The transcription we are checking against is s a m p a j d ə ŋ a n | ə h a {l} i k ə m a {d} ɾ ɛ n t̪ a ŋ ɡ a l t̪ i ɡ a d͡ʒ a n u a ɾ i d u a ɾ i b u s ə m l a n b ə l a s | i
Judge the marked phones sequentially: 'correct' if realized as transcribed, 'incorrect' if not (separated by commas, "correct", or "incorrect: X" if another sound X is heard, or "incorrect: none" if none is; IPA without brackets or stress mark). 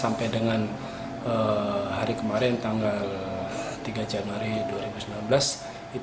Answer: incorrect: ɾ, incorrect: none